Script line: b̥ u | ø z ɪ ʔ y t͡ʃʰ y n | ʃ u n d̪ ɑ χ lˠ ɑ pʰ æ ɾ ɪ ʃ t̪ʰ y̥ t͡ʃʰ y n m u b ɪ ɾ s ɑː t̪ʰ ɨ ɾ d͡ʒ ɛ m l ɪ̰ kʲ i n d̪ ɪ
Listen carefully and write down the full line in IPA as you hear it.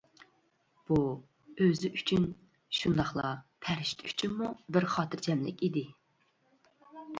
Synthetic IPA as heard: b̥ u | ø z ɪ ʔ y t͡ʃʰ y n | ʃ u n d̪ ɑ χ lˠ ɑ pʰ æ ɾ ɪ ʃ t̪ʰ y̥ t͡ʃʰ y n m u b ɪ ɾ χ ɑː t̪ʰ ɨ ɾ d͡ʒ ɛ m l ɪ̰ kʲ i d̪ ɪ